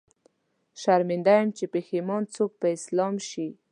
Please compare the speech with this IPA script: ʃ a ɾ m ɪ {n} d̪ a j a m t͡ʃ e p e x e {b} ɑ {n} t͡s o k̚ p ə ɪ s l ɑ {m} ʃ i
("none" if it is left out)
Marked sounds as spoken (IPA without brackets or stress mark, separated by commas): n, m, n, m